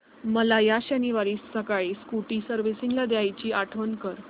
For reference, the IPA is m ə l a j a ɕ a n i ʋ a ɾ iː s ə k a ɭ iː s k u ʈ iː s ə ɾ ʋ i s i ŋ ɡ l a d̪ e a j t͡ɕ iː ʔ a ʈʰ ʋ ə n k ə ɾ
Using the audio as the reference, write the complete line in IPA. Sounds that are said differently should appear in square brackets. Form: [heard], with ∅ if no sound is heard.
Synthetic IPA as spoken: m ə l a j a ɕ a n i ʋ a ɾ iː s ə k a ɭ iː s k u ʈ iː s ə ɾ ʋ i s i ŋ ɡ l a d̪ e a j t͡ɕ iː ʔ a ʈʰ ʋ ə n k ə ɾ